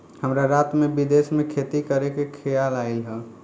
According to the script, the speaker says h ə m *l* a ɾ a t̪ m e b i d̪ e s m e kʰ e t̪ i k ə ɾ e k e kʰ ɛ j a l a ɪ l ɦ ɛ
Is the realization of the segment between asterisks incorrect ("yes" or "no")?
yes